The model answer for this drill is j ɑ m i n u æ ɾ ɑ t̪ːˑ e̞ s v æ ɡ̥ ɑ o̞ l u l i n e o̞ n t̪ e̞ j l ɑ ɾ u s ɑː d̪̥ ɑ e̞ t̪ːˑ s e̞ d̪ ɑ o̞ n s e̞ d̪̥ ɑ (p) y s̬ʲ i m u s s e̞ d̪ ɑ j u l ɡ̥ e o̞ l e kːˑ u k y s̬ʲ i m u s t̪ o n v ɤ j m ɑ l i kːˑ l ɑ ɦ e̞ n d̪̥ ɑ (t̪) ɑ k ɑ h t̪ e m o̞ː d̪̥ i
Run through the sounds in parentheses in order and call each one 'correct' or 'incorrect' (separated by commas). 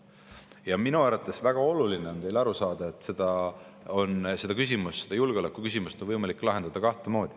incorrect, incorrect